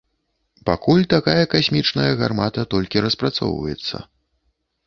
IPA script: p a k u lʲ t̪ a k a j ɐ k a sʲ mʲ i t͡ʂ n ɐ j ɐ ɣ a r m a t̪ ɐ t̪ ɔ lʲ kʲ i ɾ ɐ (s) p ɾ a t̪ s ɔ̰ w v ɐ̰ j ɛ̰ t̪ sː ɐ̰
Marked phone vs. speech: correct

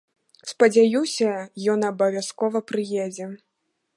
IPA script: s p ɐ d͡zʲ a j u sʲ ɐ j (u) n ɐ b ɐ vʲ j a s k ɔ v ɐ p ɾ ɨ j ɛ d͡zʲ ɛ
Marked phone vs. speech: incorrect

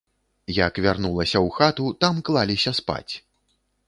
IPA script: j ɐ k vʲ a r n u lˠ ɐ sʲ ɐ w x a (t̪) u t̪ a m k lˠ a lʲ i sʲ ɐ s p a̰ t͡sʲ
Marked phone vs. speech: correct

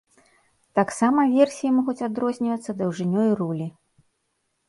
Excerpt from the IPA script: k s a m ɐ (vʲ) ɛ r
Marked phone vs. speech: correct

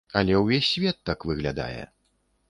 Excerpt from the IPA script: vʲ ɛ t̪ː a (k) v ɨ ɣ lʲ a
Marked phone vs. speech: correct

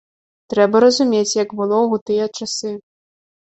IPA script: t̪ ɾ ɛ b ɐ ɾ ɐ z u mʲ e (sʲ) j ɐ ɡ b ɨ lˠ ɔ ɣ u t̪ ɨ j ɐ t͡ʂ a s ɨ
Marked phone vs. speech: incorrect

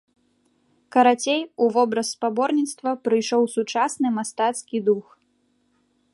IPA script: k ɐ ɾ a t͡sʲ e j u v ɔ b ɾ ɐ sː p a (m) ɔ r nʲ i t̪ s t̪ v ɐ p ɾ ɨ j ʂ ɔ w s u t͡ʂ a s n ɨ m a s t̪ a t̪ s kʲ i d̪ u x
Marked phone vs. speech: incorrect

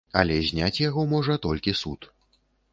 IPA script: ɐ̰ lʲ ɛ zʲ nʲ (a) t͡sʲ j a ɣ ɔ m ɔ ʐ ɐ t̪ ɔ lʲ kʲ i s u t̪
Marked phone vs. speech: correct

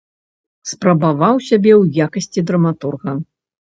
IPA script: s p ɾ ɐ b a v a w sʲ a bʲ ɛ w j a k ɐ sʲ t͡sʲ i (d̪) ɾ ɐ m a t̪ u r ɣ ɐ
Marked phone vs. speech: correct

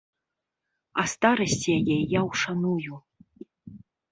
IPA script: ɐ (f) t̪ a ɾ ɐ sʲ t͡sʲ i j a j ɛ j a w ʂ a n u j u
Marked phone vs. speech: incorrect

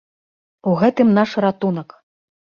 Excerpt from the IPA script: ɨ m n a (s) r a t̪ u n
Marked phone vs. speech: incorrect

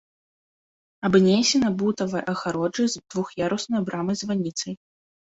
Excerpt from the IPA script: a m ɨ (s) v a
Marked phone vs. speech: incorrect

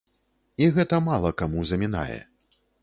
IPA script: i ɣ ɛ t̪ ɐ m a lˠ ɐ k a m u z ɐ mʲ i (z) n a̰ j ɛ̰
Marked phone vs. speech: incorrect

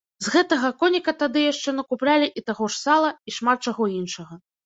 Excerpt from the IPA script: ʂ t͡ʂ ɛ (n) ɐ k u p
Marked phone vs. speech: correct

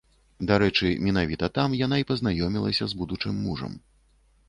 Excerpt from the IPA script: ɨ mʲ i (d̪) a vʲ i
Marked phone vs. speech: incorrect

